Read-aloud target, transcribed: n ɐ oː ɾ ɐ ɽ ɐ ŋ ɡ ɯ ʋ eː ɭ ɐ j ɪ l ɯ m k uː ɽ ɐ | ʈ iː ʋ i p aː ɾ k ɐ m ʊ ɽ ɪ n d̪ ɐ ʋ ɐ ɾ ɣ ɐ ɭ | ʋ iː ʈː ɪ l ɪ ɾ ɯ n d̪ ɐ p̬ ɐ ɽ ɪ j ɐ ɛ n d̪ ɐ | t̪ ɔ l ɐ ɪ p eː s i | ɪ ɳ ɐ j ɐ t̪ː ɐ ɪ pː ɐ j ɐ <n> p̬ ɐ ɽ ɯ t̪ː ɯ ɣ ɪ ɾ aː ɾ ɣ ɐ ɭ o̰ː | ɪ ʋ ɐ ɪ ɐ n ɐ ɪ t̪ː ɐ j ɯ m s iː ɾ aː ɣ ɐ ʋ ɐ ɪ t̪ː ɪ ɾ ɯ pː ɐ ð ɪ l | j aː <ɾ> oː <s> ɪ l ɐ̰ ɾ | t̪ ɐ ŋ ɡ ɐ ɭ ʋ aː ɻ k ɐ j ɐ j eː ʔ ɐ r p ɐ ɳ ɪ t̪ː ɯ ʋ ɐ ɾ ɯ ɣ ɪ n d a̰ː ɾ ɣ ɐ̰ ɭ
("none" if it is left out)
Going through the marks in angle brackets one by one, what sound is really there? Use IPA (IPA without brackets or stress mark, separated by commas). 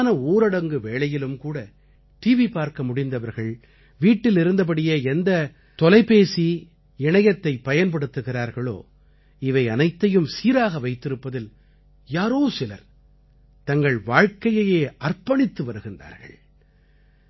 n, ɾ, s